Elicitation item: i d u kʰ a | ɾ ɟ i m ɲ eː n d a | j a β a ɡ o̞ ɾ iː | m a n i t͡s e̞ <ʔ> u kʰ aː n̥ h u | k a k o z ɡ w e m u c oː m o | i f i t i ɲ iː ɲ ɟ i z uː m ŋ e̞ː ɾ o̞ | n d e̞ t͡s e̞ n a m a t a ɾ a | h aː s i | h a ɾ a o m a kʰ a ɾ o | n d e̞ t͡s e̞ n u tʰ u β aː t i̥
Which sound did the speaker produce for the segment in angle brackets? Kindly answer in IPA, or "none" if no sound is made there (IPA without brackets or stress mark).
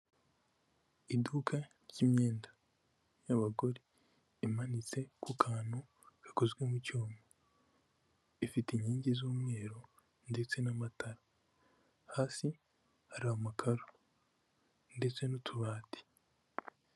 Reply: k